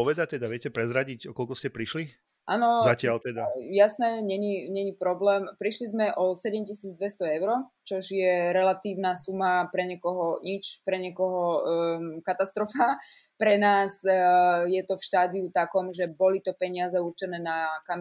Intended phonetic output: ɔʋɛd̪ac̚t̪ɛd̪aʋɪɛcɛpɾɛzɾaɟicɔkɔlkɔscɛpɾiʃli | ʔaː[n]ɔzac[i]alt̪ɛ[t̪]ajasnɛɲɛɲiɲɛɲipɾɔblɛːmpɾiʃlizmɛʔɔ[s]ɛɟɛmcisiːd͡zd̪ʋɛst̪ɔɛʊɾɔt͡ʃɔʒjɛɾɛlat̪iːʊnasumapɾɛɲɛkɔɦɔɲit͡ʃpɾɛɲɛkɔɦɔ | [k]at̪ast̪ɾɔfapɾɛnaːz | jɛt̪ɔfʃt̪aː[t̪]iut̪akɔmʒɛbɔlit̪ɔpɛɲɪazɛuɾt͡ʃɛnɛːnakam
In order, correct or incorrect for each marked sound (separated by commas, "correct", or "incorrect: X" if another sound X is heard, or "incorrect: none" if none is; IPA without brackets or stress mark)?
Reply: correct, incorrect: ɪ, incorrect: d̪, correct, correct, incorrect: d̪